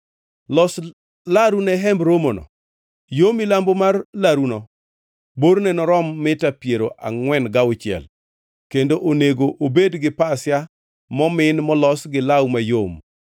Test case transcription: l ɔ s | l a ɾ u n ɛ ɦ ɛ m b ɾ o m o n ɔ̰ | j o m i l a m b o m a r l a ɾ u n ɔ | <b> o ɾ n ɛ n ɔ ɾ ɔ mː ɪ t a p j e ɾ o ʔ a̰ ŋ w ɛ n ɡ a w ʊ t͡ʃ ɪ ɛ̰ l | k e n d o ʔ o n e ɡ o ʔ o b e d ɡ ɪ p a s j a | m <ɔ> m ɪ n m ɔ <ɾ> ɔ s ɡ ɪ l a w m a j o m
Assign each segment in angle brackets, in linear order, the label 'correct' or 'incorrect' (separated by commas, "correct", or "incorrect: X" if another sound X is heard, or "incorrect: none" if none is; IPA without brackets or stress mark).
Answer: correct, correct, incorrect: l